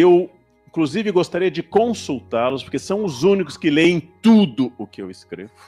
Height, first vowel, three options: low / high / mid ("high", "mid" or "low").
mid